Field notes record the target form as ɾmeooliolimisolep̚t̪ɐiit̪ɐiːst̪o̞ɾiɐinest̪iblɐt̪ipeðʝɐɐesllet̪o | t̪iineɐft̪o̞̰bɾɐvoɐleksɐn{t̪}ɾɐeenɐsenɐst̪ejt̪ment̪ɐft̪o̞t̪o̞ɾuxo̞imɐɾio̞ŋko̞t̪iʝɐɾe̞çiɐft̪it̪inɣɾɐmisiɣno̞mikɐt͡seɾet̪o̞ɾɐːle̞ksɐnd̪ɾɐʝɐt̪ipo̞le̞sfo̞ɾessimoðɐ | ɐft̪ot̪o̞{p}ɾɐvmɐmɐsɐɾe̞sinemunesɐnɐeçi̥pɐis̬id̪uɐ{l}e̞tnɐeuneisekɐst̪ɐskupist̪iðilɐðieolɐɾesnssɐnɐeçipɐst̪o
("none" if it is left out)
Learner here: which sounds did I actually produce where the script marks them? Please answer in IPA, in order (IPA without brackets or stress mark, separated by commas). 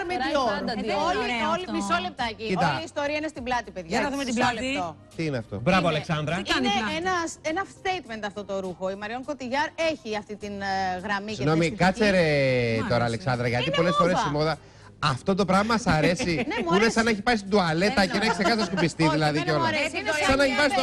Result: d̪, p, l